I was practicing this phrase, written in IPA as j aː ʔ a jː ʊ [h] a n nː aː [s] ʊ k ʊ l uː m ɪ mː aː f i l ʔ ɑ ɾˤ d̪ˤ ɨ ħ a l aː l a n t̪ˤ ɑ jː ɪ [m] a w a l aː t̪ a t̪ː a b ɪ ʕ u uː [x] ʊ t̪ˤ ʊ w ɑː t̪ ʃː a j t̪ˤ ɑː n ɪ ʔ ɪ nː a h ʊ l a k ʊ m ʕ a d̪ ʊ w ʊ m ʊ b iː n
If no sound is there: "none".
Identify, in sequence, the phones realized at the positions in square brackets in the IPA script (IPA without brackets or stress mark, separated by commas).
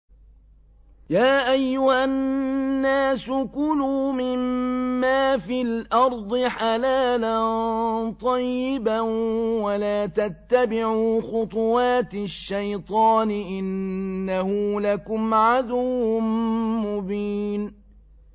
h, s, b, x